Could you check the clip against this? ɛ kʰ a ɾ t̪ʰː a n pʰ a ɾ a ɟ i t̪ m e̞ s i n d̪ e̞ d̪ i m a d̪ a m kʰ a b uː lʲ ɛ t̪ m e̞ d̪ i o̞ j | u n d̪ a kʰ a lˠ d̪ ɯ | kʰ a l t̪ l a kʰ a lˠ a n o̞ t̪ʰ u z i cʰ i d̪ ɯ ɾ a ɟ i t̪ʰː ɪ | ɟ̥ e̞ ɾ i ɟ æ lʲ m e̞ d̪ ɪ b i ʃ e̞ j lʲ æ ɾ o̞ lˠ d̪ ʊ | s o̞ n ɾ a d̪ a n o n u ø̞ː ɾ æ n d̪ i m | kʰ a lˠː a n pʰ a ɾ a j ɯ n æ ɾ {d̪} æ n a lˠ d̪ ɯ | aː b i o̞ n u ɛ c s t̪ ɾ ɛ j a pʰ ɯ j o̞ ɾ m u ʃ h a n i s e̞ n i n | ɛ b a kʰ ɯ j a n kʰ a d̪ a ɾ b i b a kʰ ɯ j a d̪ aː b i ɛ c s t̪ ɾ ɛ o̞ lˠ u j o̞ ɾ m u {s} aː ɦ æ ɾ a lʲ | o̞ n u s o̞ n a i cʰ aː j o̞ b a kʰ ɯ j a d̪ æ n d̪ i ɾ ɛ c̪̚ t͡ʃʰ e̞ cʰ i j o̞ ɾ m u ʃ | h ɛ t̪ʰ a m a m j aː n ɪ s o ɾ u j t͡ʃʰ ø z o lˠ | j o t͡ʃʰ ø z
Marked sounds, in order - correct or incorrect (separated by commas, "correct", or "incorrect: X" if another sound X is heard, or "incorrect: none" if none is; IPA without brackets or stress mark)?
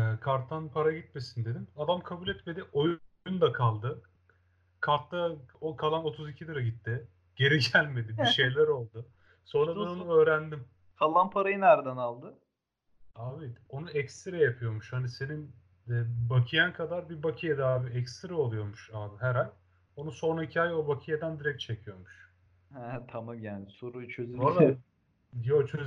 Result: correct, incorrect: ʃ